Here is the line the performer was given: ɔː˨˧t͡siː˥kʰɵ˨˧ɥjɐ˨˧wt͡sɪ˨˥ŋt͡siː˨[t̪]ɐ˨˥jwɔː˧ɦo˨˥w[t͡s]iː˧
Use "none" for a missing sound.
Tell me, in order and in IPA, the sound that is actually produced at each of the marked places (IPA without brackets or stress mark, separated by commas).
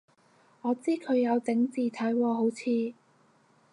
t̪ʰ, t͡sʰ